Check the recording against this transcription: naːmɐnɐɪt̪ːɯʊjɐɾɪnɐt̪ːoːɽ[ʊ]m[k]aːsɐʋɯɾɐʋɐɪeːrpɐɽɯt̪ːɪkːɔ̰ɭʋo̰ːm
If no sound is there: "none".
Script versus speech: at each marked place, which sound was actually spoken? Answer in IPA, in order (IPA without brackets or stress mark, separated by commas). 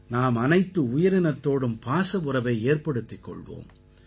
ɯ, p